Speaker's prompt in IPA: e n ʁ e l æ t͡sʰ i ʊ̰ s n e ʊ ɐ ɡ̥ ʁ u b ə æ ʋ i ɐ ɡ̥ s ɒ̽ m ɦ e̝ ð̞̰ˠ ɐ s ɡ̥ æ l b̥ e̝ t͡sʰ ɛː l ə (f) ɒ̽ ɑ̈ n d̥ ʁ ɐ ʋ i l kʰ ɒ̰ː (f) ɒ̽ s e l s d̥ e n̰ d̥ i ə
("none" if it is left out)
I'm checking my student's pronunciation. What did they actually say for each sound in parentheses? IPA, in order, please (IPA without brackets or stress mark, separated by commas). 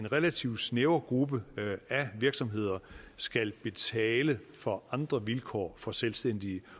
f, f